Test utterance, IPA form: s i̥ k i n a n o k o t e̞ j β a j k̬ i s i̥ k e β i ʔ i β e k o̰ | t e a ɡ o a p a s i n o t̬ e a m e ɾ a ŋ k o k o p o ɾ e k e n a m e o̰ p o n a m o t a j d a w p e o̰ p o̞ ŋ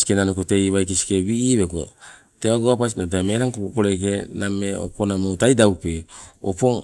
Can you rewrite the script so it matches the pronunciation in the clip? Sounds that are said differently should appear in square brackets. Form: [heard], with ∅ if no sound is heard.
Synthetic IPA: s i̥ k [e] n a n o k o t e̞ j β a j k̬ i s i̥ k e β i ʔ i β e k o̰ | t e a ɡ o a p a s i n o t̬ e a m e ɾ a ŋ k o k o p o ɾ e k e n a m e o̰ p o n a m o t a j d a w p e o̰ p o̞ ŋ